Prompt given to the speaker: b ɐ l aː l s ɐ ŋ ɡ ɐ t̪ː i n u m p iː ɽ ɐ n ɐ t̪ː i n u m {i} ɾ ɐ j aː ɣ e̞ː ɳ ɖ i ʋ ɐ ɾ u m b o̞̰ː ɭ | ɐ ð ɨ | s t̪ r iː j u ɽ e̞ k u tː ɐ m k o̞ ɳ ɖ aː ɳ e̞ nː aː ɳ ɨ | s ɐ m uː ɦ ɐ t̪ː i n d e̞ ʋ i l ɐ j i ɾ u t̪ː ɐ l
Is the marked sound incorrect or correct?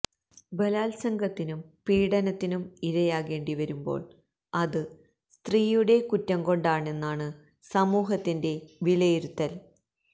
correct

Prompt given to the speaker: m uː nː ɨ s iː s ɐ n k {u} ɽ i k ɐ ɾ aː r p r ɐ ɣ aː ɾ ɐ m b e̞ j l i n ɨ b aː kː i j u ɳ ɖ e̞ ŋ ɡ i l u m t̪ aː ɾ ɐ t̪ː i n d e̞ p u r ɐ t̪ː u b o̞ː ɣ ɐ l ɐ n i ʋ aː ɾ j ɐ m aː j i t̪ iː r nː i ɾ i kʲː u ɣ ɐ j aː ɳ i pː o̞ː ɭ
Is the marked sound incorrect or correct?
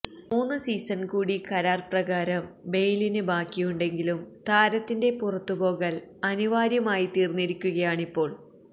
incorrect: uː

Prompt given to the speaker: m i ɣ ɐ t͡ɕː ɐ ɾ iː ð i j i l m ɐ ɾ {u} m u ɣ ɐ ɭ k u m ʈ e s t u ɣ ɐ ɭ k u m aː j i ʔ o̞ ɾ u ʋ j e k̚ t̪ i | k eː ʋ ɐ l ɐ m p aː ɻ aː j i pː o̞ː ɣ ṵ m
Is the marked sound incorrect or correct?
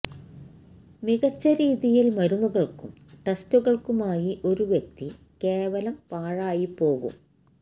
correct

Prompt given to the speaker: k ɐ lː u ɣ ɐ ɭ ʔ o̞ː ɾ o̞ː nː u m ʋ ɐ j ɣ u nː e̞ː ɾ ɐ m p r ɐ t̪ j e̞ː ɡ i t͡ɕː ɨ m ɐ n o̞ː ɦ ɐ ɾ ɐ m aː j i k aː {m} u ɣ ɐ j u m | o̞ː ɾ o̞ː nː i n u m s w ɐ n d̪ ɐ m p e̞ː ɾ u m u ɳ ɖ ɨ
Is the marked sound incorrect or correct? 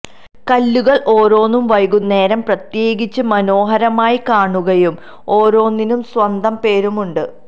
incorrect: ɳ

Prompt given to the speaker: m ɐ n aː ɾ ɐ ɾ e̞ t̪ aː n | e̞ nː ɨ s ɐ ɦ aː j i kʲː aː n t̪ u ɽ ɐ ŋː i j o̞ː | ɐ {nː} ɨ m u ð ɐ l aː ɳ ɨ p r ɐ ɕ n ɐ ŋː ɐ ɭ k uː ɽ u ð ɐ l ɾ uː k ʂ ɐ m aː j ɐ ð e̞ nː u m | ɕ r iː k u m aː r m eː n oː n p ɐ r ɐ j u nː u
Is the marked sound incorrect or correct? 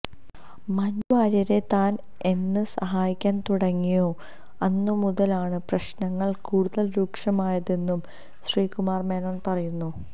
correct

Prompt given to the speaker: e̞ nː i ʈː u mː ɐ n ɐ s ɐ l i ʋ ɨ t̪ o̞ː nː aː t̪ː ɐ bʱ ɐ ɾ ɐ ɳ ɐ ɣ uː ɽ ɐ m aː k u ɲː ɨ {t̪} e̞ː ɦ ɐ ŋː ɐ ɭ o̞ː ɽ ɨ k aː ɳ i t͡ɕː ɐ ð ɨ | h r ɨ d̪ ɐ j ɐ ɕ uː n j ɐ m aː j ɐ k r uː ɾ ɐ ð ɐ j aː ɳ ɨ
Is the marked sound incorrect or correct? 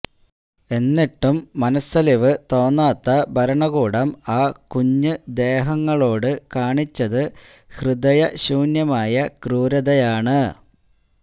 incorrect: d̪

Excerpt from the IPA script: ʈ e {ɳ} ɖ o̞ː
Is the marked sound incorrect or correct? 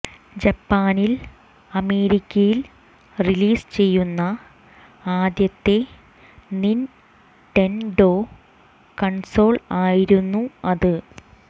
incorrect: n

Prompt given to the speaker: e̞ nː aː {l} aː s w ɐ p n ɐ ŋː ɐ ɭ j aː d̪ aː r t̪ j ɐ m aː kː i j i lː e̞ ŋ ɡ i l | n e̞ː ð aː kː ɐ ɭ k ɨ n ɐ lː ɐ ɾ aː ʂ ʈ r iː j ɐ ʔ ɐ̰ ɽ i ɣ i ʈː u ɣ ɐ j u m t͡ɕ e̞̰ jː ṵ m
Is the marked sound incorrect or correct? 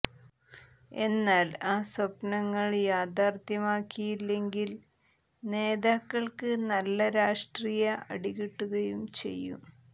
correct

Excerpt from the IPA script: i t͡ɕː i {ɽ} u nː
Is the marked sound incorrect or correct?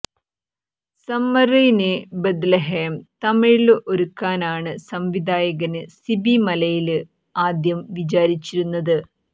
incorrect: ɾ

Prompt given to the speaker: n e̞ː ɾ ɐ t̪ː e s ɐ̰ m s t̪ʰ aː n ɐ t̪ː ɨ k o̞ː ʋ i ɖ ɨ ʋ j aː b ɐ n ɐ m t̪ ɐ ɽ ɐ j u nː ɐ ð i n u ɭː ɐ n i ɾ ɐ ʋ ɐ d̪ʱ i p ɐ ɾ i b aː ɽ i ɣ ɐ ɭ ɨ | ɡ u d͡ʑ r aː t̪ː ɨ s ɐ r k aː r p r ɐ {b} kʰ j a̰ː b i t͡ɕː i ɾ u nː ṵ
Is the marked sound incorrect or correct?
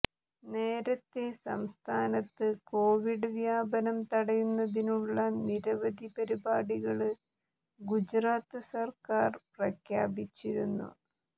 incorrect: none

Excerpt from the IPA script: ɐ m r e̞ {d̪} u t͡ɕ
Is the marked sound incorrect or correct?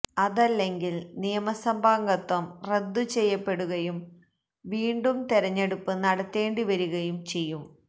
incorrect: d̪ː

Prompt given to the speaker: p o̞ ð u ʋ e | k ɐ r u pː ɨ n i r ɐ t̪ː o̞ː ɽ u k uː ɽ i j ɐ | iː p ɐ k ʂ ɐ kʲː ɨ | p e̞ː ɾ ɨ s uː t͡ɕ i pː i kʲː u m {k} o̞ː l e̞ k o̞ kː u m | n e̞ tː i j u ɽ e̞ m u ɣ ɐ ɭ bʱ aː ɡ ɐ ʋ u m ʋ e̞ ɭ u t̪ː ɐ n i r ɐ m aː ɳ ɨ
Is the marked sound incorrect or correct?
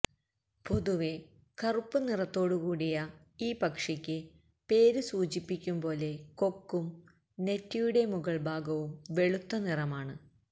incorrect: p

